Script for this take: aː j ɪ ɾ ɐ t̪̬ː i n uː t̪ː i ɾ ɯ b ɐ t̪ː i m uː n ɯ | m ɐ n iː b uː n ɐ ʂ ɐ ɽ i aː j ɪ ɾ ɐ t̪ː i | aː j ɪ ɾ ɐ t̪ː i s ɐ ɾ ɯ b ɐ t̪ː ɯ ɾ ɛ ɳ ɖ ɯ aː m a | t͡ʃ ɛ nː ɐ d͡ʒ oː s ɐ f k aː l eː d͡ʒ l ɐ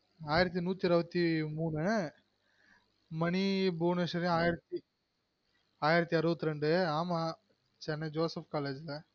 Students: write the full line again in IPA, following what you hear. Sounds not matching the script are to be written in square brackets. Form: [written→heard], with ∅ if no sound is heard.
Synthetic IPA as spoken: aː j ɪ ɾ ɐ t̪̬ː i n uː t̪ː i ɾ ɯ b ɐ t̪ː i m uː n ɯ | m ɐ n [iː→i] b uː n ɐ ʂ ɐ [ɽ→ɾ] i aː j ɪ ɾ ɐ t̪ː i | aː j ɪ ɾ ɐ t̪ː i [s→∅] ɐ ɾ ɯ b ɐ t̪ː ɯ ɾ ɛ ɳ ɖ ɯ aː m a | t͡ʃ ɛ nː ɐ d͡ʒ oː s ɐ f k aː l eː d͡ʒ l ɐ